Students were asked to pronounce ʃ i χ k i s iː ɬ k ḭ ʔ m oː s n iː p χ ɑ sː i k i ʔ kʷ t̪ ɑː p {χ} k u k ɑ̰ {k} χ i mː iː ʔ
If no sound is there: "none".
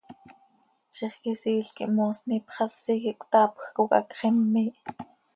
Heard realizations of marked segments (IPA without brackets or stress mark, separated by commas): x, k